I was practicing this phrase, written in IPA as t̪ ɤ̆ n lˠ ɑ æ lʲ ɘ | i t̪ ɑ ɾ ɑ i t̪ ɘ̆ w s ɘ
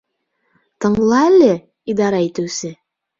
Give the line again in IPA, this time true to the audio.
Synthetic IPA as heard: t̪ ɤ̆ ɴ lˠ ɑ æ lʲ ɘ | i d̪ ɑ ɾ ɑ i t̪ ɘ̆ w s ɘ